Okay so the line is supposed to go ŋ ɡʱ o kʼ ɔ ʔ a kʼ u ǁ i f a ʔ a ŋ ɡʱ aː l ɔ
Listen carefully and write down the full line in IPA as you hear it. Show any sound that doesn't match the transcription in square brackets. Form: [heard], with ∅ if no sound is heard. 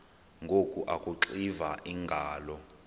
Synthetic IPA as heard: ŋ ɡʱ o kʼ [u] ʔ a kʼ u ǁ i [v] a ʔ [i] ŋ ɡʱ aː l ɔ